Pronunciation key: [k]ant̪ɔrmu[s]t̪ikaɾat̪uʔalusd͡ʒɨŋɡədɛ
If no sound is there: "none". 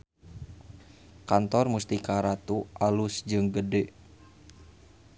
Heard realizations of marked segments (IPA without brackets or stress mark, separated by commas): k, s